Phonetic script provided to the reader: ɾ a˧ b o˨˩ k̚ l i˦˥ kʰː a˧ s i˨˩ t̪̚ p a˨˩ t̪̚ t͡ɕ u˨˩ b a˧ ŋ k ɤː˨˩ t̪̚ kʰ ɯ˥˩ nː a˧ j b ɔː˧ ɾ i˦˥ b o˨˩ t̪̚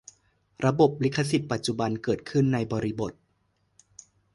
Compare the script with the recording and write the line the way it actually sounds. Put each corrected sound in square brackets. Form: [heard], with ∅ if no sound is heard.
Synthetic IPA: ɾ a˧ b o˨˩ [p̚] l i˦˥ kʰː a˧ s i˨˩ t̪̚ p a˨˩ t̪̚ t͡ɕ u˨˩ b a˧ [n] k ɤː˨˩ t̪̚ kʰ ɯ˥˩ nː a˧ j b ɔː˧ ɾ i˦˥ b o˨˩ t̪̚

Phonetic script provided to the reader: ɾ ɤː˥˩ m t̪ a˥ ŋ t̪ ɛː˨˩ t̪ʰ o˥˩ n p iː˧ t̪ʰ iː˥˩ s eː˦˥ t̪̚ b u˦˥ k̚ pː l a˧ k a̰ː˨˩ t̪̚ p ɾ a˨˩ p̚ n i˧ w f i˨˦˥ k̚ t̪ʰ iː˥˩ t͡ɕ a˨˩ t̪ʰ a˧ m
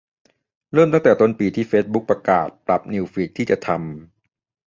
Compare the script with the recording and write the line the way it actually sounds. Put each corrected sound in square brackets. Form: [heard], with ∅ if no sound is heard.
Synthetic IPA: ɾ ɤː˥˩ m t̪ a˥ ŋ t̪ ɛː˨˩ [t̪] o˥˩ n p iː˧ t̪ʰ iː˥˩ [f] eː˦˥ t̪̚ b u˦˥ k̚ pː [ɾ] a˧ k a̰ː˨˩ t̪̚ p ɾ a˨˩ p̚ n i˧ w f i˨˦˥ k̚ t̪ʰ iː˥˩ t͡ɕ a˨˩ t̪ʰ a˧ m

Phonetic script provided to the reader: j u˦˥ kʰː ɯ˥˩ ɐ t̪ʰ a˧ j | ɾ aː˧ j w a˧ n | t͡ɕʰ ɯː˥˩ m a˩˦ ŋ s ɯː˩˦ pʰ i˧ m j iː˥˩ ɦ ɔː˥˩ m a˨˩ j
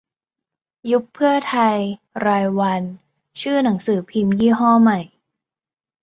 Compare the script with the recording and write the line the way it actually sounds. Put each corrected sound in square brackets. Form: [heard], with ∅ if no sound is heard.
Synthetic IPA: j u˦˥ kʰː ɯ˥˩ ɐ t̪ʰ a˧ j | ɾ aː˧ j w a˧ n | t͡ɕʰ ɯː˥˩ [n] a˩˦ ŋ s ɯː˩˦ pʰ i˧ m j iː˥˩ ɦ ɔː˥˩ m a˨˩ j

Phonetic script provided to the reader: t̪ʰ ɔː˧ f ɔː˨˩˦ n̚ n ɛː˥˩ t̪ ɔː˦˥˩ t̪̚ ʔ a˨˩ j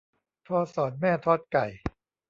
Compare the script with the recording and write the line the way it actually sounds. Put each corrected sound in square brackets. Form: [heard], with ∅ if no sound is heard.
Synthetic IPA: t̪ʰ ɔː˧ [s] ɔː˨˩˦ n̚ [m] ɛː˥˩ [t̪ʰ] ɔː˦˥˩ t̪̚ [k] a˨˩ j

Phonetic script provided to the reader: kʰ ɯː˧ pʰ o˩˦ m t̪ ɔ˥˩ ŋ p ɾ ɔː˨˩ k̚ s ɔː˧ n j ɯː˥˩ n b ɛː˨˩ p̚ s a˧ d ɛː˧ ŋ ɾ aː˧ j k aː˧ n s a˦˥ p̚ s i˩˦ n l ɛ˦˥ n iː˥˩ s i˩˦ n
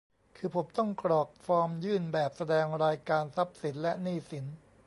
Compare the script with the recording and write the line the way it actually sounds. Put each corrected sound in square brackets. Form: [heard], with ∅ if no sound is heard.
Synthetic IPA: kʰ ɯː˧ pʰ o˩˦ m t̪ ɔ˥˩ ŋ [k] ɾ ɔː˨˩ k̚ [f] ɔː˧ [m] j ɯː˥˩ n b ɛː˨˩ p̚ s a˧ d ɛː˧ ŋ ɾ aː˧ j k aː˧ n s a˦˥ p̚ s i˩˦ n l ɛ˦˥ n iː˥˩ s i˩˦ n

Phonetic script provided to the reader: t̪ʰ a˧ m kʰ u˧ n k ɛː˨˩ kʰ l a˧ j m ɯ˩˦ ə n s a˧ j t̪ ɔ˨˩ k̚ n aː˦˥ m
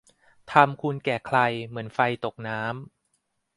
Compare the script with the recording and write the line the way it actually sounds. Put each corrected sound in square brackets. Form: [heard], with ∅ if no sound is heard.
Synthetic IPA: t̪ʰ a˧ m kʰ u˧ n k ɛː˨˩ kʰ l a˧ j m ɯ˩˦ ə n [f] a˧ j t̪ [o˨˩] k̚ n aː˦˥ m

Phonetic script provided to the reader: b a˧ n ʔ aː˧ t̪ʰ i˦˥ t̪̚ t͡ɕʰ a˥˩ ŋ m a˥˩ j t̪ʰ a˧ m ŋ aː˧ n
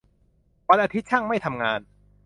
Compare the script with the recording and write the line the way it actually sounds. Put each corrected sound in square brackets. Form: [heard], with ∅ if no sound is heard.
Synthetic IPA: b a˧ n ʔ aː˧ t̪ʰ i˦˥ t̪̚ t͡ɕʰ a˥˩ ŋ m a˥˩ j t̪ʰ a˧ m ŋ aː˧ n

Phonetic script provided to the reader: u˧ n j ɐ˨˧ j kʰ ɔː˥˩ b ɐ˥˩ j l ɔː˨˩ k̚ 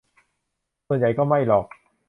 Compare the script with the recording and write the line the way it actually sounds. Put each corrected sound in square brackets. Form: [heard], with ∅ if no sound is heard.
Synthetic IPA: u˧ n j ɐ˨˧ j [k] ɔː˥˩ [m] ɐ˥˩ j l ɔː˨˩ k̚

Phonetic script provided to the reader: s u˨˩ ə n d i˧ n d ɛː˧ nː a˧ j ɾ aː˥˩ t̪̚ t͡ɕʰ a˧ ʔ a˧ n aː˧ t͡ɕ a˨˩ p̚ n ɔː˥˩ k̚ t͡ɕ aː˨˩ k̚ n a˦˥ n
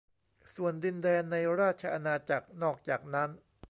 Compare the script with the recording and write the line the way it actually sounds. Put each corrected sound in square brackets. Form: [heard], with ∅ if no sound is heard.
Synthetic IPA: s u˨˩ ə n d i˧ n d ɛː˧ nː a˧ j ɾ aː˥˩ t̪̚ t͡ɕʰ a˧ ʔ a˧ n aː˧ t͡ɕ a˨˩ [k̚] n ɔː˥˩ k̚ t͡ɕ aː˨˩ k̚ n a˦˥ n

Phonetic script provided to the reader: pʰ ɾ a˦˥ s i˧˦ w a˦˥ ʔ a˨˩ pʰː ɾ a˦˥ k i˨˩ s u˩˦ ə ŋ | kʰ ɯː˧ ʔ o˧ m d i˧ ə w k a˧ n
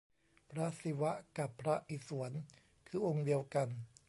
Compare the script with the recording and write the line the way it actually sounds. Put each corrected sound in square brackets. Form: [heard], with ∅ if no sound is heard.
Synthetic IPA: pʰ ɾ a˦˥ s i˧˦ w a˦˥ [k] a˨˩ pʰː ɾ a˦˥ [ʔ] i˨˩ s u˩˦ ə [n] | kʰ ɯː˧ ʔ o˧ [ŋ] d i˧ ə w k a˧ n

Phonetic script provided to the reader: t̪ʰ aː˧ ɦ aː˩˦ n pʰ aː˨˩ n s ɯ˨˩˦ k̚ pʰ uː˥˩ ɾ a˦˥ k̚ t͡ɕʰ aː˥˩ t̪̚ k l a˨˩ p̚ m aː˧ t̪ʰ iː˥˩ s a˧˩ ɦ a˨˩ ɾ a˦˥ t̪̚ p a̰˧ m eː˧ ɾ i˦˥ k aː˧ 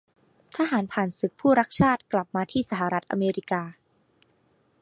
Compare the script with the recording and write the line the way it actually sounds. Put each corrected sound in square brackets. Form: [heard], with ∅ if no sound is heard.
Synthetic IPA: t̪ʰ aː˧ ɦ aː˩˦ n pʰ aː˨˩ n s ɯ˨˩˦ k̚ pʰ uː˥˩ ɾ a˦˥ k̚ t͡ɕʰ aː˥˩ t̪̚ k l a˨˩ p̚ m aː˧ t̪ʰ iː˥˩ s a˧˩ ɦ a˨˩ ɾ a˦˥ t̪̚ [ʔ] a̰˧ m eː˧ ɾ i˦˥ k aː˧

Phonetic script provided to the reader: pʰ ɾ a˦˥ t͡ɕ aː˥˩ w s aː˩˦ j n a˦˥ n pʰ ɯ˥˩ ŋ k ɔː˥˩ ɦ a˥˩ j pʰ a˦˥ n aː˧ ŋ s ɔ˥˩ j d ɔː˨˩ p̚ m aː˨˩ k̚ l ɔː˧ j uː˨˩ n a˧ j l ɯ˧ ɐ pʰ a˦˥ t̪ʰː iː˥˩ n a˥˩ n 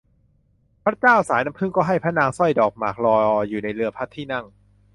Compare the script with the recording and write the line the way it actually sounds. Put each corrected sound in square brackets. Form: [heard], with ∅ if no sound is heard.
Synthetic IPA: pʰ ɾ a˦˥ t͡ɕ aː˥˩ w s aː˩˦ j n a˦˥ [m] pʰ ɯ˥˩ ŋ k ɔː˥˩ ɦ a˥˩ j pʰ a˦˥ n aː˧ ŋ s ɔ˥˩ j d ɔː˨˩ [k̚] m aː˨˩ k̚ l ɔː˧ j uː˨˩ n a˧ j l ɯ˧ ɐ pʰ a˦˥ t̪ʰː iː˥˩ n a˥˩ [ŋ]

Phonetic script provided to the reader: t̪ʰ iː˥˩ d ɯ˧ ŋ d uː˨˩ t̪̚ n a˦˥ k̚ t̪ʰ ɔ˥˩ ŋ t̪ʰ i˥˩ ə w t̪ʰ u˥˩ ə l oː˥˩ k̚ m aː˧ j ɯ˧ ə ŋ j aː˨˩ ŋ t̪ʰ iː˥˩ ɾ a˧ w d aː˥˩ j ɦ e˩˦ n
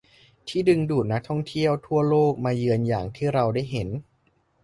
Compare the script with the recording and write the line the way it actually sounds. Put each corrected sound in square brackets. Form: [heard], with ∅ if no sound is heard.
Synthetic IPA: t̪ʰ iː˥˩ d ɯ˧ ŋ d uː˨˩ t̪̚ n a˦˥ k̚ t̪ʰ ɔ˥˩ ŋ t̪ʰ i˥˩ ə w t̪ʰ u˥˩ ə l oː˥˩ k̚ m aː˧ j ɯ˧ ə [n] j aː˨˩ ŋ t̪ʰ iː˥˩ ɾ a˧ w d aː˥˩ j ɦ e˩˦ n

